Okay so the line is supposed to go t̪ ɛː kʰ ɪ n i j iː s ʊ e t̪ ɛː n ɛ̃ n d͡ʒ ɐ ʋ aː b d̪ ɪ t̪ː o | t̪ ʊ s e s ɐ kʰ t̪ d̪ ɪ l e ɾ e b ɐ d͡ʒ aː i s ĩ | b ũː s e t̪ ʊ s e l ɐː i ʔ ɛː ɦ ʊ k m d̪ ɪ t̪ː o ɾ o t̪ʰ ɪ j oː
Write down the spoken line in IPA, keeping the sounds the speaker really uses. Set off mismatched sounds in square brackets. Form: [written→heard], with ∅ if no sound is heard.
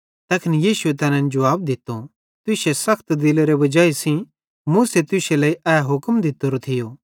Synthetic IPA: t̪ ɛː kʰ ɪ n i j iː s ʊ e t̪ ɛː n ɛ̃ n d͡ʒ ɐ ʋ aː b d̪ ɪ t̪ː o | t̪ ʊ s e s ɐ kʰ t̪ d̪ ɪ l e ɾ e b ɐ d͡ʒ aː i s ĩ | [b→m] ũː s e t̪ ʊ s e l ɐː i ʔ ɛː ɦ ʊ k m d̪ ɪ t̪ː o ɾ o t̪ʰ ɪ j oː